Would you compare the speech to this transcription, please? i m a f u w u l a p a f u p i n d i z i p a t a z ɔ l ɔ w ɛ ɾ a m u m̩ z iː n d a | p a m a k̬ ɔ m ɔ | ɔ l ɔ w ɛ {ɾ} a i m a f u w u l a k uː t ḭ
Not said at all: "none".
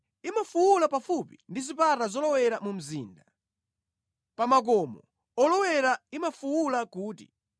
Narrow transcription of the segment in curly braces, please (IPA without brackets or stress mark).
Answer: ɾ